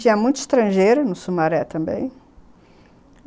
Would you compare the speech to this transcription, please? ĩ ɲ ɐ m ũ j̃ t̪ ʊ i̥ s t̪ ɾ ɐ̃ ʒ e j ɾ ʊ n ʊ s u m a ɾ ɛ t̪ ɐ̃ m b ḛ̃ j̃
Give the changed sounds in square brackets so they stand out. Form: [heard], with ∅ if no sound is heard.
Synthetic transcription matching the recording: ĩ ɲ ɐ m ũ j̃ t̪ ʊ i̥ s t̪ ɾ ɐ̃ ʒ e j ɾ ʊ n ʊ s u m a ɾ ɛ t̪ ɐ̃ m b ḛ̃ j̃